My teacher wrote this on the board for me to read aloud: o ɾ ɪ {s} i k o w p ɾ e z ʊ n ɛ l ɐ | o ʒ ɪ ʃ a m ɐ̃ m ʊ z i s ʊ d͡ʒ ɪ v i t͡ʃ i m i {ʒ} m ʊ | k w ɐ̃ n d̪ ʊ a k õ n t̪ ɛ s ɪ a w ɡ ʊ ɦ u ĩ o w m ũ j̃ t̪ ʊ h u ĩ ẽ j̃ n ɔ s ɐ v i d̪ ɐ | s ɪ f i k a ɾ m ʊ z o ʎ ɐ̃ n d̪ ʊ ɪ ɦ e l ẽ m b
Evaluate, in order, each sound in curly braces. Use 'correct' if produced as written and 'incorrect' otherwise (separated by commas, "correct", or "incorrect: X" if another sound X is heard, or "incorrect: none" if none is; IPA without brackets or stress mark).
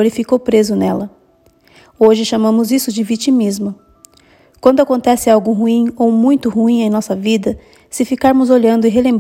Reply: incorrect: f, incorrect: z